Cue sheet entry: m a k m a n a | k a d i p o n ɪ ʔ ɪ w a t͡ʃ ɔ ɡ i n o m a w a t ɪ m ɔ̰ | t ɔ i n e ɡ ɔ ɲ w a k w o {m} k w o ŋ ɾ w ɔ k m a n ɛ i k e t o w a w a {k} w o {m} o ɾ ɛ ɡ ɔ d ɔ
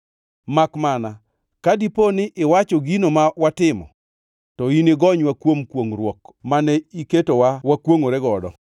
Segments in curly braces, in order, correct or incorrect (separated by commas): correct, correct, incorrect